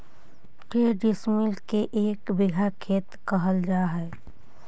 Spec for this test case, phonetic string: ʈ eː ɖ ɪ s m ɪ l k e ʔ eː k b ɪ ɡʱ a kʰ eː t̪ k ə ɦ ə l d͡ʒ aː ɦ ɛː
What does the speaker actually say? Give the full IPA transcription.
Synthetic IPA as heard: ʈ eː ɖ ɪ s m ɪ l k e ʔ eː k b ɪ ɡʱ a kʰ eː t̪ k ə ɦ ə l d͡ʒ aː ɦ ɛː

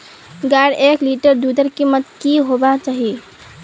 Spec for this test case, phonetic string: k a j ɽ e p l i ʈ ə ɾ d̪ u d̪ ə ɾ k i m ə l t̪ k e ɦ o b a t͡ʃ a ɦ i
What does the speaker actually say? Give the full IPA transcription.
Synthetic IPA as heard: ɡ a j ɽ e k l i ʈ ə ɾ d̪ u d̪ ə ɾ k i m ə t̪ k i ɦ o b a t͡ʃ a ɦ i

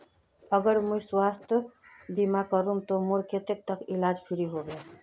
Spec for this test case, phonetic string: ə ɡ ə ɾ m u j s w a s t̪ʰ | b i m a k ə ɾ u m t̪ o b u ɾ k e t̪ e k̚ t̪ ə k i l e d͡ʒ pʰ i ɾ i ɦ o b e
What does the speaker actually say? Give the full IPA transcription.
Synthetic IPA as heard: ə ɡ ə ɾ m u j s w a s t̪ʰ | b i m a k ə ɾ u m t̪ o m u ɾ k e t̪ e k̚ t̪ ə k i l a d͡ʒ pʰ i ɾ i ɦ o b e

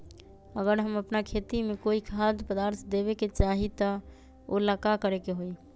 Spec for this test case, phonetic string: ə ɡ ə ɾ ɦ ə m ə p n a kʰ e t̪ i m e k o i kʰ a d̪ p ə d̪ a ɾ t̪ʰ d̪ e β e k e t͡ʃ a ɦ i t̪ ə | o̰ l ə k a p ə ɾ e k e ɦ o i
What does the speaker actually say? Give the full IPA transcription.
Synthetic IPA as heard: ə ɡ ə ɾ ɦ ə m ə p n a kʰ e t̪ i m e k o i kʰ a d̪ p ə d̪ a ɾ t̪ʰ d̪ e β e k e t͡ʃ a ɦ i t̪ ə | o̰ l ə k a k ə ɾ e k e ɦ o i

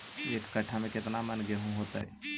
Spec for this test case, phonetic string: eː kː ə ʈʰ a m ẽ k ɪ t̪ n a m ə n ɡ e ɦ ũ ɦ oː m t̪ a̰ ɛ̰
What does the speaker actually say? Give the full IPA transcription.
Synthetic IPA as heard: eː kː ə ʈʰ a m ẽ k ɪ t̪ n a m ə n ɡ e ɦ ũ ɦ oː t̪ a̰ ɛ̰

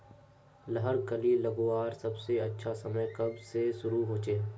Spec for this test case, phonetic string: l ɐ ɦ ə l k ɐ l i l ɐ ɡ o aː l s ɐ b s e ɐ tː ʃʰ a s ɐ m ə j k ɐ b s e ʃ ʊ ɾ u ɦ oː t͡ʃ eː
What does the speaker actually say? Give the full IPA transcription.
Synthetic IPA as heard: l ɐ ɦ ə ɾ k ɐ l i l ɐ ɡ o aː ɾ s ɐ b s e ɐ tː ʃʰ a s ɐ m ə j k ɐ b s e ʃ ʊ ɾ u ɦ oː t͡ʃ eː

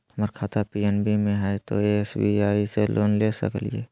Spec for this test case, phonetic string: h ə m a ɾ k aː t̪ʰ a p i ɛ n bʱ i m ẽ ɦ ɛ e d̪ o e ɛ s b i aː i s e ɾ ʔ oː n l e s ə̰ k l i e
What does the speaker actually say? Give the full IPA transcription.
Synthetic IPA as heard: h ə m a ɾ kʰ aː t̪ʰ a p i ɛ n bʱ i m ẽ ɦ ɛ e t̪ o e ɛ s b i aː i s e l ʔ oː n l e s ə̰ k l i e

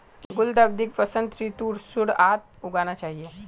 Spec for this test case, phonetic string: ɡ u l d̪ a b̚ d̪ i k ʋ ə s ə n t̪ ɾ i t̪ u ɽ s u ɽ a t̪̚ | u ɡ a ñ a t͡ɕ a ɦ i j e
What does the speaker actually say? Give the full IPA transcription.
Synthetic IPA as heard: ɡ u l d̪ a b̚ d̪ i k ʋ ə s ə n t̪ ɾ i t̪ u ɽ s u ɽ a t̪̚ | u ɡ a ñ a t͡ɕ a ɦ i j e

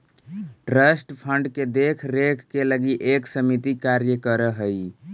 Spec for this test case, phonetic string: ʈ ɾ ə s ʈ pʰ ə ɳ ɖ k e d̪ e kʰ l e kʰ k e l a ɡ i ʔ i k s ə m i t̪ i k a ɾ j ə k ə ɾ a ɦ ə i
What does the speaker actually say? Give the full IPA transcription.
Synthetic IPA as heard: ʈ ɾ ə s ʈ pʰ ə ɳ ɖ k e d̪ e kʰ ɾ e kʰ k e l ə ɡ i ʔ e k s ə m i t̪ i k a ɾ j ə k ə ɾ ə ɦ ə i

